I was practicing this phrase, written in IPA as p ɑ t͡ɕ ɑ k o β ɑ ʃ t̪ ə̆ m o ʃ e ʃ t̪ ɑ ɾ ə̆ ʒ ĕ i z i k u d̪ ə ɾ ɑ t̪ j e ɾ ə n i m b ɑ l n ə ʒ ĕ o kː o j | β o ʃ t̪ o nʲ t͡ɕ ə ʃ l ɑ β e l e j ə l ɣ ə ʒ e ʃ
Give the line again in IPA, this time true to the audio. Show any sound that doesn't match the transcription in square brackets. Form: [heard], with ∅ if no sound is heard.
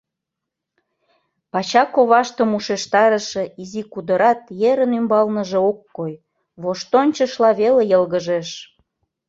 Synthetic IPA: p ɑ t͡ɕ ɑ k o β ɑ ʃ t̪ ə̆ m [u] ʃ e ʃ t̪ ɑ ɾ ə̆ [ʃ] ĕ i z i k u d̪ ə ɾ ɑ t̪ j e ɾ ə n [y] m b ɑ l n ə ʒ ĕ o kː o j | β o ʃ t̪ o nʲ t͡ɕ ə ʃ l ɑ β e l e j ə l ɣ ə ʒ e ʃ